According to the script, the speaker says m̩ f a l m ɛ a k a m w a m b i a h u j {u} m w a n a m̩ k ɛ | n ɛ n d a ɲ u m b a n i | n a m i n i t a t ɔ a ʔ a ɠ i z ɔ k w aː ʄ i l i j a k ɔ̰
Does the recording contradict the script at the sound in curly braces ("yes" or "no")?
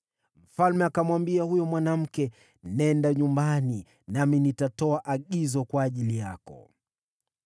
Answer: yes